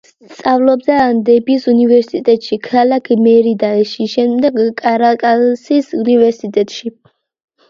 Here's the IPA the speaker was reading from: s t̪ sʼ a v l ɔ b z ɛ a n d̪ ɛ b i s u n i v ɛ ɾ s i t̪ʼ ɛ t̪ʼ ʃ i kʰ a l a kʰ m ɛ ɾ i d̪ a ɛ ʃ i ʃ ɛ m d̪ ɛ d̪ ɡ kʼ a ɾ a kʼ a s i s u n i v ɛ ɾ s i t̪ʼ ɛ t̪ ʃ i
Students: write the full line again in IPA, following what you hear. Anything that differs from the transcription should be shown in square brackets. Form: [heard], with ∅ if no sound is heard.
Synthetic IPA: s t̪ sʼ a v l ɔ b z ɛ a n d̪ ɛ b i s u n i v ɛ ɾ s i t̪ʼ ɛ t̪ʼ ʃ i kʰ a l a kʰ m ɛ ɾ i d̪ a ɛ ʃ i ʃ ɛ m d̪ ɛ [∅] ɡ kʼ a ɾ a kʼ a s i s u n i v ɛ ɾ s i t̪ʼ ɛ [t̪ʼ] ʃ i